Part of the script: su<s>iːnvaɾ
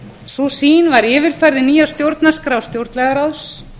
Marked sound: correct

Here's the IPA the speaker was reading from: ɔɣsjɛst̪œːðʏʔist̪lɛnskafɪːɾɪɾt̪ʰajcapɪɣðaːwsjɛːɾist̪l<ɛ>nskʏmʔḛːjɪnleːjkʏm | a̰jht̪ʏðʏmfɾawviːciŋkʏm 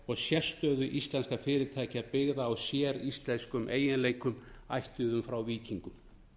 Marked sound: correct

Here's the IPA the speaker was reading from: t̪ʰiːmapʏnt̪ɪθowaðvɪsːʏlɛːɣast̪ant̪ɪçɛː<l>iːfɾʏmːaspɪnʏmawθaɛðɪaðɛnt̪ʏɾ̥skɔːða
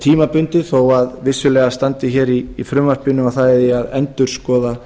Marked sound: incorrect: ɾ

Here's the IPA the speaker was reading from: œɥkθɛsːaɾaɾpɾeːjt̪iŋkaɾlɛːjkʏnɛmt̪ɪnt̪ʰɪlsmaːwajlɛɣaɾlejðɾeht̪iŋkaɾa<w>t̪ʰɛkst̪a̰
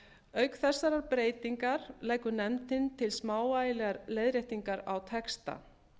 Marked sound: correct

